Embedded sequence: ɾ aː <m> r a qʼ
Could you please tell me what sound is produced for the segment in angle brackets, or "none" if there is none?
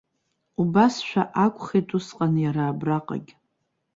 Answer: b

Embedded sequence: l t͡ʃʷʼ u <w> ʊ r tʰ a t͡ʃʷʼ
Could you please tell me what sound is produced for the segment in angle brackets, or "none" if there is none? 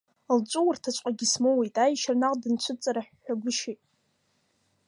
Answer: w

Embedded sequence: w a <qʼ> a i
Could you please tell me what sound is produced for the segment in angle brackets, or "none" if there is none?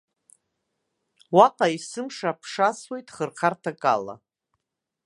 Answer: qʼ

